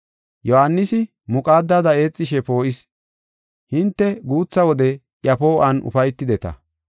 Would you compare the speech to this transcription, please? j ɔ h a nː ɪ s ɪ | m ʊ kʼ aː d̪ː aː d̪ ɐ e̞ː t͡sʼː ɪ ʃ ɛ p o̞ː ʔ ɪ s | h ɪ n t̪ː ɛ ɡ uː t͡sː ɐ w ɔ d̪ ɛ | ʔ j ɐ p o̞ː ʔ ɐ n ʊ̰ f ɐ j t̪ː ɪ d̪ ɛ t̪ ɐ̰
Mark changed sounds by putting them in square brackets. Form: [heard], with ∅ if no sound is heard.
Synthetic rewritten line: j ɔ h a nː ɪ s ɪ | m ʊ kʼ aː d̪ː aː d̪ ɐ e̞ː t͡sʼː ɪ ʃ ɛ p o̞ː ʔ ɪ s | h ɪ n t̪ː ɛ ɡ uː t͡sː ɐ w ɔ d̪ ɛ | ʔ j ɐ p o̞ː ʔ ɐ n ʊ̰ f ɐ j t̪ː ɪ d̪ ɛ t̪ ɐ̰